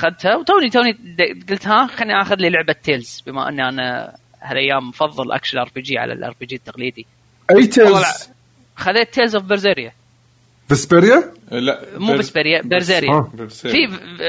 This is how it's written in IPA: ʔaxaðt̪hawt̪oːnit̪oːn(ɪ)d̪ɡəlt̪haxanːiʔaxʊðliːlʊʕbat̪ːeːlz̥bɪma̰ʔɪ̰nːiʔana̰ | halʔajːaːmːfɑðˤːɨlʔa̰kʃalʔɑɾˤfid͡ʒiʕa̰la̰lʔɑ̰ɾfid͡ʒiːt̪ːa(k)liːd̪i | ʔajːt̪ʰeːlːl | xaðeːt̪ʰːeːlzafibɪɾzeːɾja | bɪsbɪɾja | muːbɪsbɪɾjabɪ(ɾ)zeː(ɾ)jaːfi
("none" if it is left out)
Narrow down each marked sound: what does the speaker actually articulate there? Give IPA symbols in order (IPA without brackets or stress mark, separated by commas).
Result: i, q, ɾ, ɾ